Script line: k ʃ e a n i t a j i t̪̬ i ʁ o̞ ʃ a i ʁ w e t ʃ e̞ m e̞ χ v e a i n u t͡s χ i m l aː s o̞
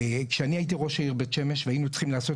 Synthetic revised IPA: k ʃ e a n i a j i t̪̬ i ʁ o̞ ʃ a i ʁ b e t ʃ e̞ m e̞ ʃ v e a i n u t͡s χ i m l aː s o̞